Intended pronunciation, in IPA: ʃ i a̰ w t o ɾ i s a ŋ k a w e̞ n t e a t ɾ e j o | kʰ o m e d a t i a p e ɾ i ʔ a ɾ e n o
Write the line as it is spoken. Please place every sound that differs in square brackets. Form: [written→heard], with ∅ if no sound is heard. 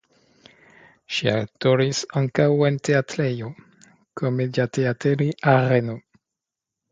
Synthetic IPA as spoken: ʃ i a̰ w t o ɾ i s a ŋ k a w e̞ n t e a t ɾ e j o | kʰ o m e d a t [i→e] a [p→t] e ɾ i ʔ a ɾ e n o